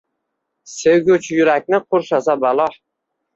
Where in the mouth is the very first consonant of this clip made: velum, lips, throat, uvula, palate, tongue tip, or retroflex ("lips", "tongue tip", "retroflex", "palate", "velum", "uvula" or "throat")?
tongue tip